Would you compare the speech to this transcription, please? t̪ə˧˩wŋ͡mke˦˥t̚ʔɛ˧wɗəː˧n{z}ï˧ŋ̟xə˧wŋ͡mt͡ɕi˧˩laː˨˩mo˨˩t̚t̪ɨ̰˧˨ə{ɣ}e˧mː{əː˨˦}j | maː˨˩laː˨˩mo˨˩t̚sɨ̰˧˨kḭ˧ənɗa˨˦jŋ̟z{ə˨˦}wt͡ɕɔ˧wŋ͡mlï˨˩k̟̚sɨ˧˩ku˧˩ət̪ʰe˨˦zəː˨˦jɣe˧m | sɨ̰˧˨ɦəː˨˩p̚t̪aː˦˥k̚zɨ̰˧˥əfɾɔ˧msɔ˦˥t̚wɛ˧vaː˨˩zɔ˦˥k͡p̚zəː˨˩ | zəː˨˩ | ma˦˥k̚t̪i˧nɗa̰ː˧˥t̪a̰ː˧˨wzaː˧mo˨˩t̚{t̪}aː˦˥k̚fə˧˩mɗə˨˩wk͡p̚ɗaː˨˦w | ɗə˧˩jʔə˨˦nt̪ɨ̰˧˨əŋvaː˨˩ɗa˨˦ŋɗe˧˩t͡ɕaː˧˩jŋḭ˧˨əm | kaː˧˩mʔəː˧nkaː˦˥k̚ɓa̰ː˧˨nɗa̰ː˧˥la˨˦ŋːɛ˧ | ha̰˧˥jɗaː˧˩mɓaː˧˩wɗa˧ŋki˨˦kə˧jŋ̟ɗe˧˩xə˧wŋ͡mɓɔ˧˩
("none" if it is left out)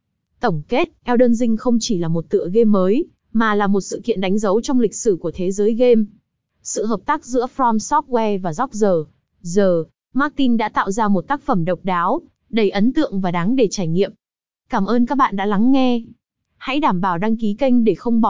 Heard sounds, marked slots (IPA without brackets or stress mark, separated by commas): z, ɣ, əː˨˦, ə˨˦, t̪